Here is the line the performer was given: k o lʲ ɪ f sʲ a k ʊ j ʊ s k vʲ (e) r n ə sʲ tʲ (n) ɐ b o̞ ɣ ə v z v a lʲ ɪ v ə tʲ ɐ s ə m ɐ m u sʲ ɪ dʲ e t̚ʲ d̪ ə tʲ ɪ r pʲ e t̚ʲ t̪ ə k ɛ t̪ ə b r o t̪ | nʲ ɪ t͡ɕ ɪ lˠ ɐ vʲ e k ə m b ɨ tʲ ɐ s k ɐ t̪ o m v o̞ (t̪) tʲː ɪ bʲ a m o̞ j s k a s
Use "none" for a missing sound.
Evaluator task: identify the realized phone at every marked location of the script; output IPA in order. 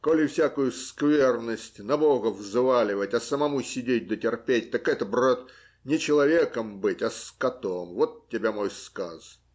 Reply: e, n, t̪

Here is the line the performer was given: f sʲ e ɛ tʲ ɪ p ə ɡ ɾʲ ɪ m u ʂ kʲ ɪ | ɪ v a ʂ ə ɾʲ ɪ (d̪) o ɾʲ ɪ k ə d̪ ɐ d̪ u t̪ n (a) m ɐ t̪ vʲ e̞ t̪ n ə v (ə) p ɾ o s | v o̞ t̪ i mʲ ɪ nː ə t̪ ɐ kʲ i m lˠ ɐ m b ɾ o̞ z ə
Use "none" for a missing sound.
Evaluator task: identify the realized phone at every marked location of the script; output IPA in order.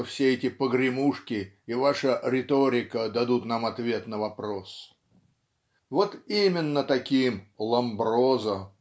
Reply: t̪, a, ɐ

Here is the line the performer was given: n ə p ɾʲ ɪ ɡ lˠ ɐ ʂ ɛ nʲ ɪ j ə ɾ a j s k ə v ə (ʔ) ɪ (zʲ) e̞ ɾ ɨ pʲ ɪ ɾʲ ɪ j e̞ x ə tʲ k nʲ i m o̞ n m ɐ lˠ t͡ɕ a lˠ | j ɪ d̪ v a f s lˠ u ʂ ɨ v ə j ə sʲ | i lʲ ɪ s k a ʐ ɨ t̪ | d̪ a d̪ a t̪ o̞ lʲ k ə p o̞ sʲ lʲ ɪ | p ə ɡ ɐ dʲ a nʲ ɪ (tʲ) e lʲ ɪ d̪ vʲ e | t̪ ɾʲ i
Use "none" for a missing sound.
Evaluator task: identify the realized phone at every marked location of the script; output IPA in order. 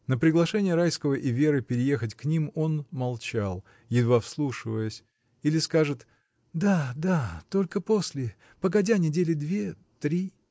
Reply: ʔ, vʲ, dʲ

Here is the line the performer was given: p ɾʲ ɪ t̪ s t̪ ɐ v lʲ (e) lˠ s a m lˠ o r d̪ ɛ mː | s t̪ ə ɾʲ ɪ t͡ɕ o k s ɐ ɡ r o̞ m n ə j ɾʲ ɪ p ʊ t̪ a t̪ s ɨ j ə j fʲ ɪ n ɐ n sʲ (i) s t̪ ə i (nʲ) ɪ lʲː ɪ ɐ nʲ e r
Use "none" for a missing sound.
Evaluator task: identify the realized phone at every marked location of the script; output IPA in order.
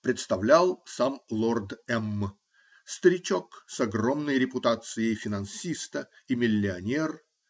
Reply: a, i, mʲ

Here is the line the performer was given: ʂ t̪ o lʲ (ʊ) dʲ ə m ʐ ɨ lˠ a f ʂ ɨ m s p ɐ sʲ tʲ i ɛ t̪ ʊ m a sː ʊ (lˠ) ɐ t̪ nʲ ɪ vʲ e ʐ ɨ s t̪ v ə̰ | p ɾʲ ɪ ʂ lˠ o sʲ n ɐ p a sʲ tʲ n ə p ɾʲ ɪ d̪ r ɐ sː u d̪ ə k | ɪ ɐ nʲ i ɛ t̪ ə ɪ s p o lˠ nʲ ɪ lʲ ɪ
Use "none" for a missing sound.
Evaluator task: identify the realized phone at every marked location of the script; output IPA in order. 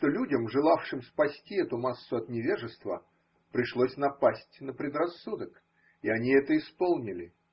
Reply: u, none

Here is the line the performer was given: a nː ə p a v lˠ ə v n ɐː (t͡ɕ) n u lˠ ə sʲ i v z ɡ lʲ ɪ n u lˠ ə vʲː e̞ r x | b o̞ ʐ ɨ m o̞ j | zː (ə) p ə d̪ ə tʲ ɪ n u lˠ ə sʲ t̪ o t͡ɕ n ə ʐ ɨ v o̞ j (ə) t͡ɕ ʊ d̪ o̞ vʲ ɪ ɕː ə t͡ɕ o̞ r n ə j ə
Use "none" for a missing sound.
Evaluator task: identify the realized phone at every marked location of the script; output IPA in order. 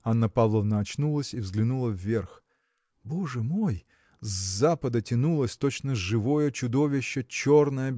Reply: t͡ɕ, a, ə

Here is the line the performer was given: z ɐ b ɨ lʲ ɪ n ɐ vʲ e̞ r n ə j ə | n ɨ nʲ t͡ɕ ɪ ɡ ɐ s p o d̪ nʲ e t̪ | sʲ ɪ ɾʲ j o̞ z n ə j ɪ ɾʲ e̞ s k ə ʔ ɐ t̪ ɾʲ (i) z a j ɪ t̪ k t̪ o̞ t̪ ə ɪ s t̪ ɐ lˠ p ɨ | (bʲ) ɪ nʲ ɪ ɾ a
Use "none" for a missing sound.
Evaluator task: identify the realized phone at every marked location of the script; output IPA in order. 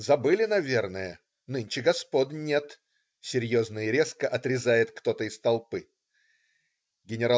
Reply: ɪ, ɡʲ

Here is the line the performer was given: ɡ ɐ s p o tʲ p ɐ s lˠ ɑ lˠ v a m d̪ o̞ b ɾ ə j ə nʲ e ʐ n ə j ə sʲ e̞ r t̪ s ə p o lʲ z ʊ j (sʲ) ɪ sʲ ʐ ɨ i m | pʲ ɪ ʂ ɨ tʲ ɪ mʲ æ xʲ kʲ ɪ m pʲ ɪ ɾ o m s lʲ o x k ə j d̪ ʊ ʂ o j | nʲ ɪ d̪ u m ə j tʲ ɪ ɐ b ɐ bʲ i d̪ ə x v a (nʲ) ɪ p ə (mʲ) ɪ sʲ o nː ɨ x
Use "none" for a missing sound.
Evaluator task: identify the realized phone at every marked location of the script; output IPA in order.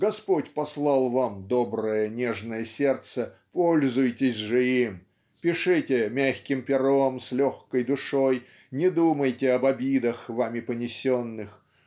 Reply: tʲ, mʲ, nʲ

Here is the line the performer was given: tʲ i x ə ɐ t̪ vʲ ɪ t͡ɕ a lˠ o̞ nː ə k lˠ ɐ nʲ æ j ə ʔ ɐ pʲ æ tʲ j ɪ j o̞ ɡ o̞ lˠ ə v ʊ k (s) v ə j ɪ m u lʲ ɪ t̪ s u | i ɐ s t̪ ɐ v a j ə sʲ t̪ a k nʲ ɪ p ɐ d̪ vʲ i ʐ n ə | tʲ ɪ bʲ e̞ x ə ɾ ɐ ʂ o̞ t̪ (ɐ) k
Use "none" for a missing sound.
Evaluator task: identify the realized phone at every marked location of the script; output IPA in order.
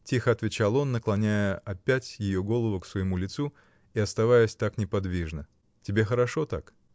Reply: s, a

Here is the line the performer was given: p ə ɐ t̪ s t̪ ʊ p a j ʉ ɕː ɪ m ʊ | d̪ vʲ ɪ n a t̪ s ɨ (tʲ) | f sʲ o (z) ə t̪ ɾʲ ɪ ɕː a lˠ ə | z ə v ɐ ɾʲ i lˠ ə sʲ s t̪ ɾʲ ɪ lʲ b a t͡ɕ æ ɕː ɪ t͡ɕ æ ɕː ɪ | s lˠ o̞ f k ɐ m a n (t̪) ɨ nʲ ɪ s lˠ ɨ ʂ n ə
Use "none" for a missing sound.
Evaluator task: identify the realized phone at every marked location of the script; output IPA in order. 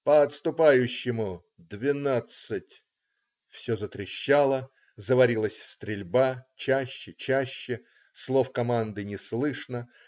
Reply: tʲ, z, d̪

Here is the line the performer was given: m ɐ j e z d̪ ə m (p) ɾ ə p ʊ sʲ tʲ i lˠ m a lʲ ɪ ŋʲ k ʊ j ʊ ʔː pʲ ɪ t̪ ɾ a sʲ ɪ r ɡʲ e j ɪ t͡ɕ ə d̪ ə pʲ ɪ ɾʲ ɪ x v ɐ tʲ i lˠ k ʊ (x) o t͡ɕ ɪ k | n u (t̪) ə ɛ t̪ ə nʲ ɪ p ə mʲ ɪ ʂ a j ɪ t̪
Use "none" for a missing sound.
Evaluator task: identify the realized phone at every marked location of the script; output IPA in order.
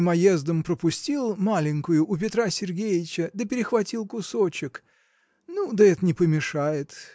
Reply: p, s, d̪

